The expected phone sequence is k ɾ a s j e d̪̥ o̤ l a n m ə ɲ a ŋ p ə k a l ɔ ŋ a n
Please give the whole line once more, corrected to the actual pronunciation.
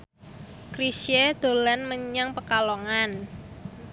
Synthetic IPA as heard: k ɾ i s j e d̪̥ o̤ l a n m ə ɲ a ŋ p ə k a l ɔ ŋ a n